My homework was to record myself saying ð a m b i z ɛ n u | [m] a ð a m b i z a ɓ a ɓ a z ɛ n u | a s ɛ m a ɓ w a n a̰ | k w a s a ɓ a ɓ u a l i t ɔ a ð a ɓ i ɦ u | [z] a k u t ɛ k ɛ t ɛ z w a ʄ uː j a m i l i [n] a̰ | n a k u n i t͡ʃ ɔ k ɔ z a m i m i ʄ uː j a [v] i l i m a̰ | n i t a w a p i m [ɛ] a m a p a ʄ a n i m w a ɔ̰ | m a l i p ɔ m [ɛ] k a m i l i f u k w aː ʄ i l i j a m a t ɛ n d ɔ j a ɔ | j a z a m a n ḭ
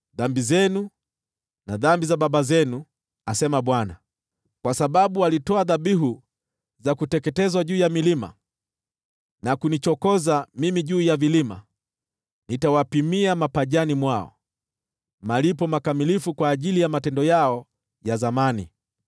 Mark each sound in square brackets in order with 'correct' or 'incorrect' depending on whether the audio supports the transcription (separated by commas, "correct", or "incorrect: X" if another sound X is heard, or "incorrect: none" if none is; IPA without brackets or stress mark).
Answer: incorrect: n, correct, incorrect: m, correct, incorrect: i, incorrect: a